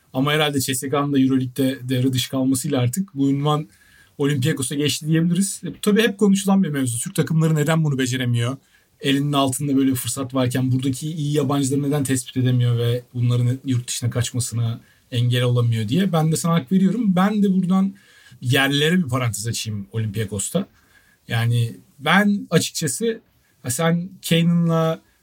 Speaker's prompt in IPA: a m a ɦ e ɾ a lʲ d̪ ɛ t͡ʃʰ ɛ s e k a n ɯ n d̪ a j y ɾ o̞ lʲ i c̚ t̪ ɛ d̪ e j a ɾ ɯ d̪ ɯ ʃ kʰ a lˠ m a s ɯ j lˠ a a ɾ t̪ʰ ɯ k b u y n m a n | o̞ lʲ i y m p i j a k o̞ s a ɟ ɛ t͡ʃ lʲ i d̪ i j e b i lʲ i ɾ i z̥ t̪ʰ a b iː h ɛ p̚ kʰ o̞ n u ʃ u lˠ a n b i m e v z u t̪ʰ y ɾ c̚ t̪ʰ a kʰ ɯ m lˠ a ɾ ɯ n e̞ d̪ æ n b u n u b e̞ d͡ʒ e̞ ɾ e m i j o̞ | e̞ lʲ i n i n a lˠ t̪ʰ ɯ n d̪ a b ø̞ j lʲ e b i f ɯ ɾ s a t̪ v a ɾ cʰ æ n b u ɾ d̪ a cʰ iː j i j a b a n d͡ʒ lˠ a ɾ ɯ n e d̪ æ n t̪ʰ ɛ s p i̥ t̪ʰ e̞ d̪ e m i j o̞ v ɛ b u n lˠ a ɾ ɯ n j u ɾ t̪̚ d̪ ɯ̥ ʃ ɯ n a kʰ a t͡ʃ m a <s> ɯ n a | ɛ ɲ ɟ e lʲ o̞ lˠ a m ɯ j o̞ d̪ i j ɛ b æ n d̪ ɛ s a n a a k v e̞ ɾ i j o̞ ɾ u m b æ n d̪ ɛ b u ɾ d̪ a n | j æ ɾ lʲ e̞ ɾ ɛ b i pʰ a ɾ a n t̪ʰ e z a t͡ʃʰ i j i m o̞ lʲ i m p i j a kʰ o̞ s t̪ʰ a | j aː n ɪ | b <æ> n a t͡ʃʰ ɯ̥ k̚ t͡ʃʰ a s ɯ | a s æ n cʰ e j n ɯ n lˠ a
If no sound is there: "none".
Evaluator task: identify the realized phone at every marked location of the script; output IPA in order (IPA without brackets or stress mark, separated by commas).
s, æ